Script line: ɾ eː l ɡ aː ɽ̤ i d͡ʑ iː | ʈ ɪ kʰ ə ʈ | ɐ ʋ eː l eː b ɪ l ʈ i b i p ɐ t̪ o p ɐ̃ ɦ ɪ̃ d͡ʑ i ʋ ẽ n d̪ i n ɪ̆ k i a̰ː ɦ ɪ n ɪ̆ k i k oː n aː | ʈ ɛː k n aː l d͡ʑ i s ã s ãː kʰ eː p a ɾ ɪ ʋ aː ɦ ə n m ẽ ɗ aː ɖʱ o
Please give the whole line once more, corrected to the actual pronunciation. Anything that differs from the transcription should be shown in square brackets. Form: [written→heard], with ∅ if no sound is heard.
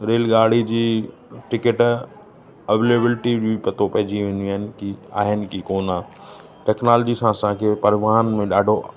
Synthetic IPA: ɾ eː l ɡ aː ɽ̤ i d͡ʑ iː | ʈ ɪ [kʰ→k] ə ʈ | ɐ ʋ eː l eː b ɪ l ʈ i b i p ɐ t̪ o p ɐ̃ ɦ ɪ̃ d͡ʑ i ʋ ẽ n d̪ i n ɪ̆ k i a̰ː ɦ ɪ n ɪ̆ k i k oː n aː | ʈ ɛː k n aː l d͡ʑ i s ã s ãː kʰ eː p [a→ɐ] ɾ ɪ ʋ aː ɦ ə n m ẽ ɗ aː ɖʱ o